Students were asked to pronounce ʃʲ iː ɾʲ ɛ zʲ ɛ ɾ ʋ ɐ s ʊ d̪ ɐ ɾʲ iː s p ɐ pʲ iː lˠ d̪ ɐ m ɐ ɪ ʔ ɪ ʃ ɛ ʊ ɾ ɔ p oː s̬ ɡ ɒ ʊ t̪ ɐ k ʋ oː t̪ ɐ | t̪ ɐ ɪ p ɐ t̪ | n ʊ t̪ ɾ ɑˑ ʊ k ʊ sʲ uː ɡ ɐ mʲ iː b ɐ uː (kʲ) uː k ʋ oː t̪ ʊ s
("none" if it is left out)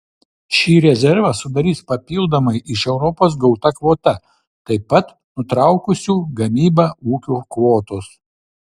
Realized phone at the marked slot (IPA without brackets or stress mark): kʲ